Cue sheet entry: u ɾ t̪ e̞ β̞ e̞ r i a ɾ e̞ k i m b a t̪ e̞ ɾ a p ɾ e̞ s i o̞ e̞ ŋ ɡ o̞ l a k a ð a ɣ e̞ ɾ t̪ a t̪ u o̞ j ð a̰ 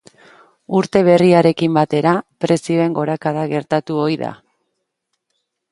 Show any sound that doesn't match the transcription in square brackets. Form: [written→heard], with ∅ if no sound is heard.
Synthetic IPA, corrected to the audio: u ɾ t̪ e̞ β̞ e̞ r i a ɾ e̞ k i m b a t̪ e̞ ɾ a p ɾ e̞ s i o̞ e̞ ŋ ɡ o̞ [l→ɾ] a k a ð a ɣ e̞ ɾ t̪ a t̪ u o̞ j ð a̰